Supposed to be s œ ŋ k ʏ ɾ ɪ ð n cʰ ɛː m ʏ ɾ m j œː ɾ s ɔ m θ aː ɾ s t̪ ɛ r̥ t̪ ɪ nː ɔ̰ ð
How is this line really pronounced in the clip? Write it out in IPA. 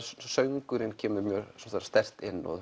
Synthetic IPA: s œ ŋ k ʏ ɾ ɪ n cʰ ɛː m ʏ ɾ m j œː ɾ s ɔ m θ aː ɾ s t̪ ɛ r̥ t̪ ɪ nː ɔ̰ ð